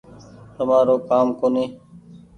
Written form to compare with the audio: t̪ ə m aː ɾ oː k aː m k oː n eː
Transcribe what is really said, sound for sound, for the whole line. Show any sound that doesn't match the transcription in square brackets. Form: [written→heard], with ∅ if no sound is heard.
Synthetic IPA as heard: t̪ ə m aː ɾ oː k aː m k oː n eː